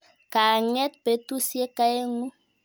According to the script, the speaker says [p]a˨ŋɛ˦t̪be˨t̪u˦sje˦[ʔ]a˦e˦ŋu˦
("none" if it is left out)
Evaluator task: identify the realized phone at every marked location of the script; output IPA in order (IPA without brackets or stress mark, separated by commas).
k, k